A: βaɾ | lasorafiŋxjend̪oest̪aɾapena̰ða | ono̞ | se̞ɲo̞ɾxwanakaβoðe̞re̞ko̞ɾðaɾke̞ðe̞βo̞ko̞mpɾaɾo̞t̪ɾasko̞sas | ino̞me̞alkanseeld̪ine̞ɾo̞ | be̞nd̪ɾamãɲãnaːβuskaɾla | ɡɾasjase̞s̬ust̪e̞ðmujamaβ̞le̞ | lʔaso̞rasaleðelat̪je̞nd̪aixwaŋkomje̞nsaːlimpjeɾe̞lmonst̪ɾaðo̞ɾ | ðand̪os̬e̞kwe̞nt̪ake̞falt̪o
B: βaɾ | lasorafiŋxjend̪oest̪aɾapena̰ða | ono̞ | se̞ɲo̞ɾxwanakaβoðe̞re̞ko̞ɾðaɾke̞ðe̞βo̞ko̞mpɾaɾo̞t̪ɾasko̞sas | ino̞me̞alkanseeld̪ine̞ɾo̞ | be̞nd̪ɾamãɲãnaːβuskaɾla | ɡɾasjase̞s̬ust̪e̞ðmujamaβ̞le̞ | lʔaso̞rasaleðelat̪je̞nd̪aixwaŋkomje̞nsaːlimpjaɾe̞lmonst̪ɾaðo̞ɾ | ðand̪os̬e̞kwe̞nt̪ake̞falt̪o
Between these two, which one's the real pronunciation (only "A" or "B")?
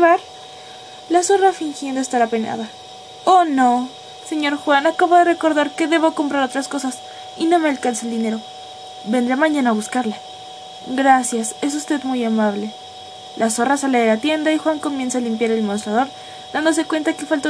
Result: B